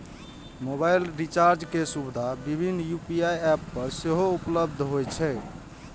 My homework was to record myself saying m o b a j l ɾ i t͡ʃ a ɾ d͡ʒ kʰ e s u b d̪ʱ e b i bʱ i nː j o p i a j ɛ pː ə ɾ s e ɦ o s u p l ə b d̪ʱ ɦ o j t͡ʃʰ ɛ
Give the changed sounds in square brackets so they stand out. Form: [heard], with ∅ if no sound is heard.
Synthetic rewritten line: m o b a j l ɾ i t͡ʃ a ɾ d͡ʒ [k] e s u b d̪ʱ [a] b i bʱ i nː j [u] p i a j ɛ pː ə ɾ s e ɦ o [∅] u p l ə b d̪ʱ ɦ o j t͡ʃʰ ɛ